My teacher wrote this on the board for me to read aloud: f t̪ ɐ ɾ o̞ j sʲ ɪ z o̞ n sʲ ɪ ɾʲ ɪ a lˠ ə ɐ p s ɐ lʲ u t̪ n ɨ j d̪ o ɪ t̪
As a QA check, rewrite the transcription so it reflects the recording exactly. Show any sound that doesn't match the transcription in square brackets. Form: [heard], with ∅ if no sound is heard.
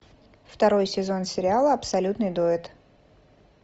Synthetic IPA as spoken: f t̪ ɐ ɾ o̞ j sʲ ɪ z o̞ n sʲ ɪ ɾʲ ɪ a lˠ ə ɐ p s ɐ lʲ u t̪ n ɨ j d̪ o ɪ t̪